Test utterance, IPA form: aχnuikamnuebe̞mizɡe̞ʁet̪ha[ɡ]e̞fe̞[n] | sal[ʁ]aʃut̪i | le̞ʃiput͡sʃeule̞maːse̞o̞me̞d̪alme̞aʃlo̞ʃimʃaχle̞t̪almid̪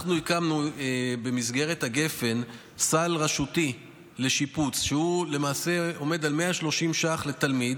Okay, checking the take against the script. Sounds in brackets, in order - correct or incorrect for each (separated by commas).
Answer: correct, correct, correct